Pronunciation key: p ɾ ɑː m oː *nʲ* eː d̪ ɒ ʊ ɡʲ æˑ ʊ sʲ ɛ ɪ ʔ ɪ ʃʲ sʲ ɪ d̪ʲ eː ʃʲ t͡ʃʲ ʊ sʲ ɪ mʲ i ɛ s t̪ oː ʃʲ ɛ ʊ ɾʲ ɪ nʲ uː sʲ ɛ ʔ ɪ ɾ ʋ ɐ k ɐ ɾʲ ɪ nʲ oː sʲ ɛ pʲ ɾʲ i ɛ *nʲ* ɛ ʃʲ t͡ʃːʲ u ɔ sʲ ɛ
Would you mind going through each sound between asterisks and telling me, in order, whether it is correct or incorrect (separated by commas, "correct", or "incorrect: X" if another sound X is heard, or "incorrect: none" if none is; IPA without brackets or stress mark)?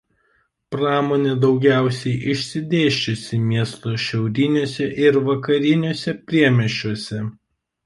correct, incorrect: mʲ